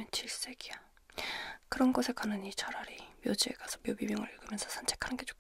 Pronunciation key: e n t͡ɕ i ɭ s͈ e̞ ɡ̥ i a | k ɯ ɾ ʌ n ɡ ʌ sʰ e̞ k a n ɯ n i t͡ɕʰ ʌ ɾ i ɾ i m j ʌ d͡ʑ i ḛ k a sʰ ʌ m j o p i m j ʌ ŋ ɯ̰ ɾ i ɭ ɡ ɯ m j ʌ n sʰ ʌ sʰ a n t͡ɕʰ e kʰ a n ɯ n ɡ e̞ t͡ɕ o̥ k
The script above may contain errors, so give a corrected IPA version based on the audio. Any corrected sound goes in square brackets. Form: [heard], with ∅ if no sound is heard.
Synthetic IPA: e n t͡ɕ i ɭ s͈ e̞ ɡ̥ i a | k ɯ ɾ ʌ n ɡ ʌ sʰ e̞ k a n ɯ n i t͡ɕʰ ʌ ɾ [a] ɾ i m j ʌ d͡ʑ i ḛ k a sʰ ʌ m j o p i m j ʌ ŋ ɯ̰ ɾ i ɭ ɡ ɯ m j ʌ n sʰ ʌ sʰ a n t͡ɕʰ e kʰ a n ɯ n ɡ e̞ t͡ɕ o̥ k